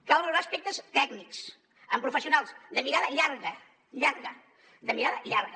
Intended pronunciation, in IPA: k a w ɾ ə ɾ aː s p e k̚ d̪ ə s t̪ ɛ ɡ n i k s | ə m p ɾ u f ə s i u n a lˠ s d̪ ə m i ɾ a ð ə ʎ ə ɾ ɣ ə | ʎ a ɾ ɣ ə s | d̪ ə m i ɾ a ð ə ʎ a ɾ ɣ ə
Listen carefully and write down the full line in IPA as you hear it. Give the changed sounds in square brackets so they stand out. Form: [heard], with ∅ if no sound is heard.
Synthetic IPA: k a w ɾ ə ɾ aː s p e k̚ [t̪] ə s t̪ ɛ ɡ n i k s | ə m p ɾ u f ə s i u n a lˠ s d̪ ə m i ɾ a ð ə ʎ [a] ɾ ɣ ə | ʎ a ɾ ɣ ə [∅] | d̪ ə m i ɾ a ð ə ʎ a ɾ ɣ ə